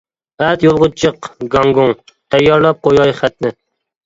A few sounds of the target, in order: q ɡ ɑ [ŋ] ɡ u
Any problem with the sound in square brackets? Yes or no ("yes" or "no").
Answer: no